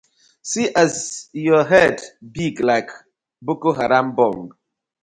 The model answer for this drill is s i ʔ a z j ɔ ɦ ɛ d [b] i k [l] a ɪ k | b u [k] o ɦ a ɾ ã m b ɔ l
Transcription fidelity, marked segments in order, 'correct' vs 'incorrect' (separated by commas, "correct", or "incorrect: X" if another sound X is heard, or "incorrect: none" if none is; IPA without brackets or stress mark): correct, correct, correct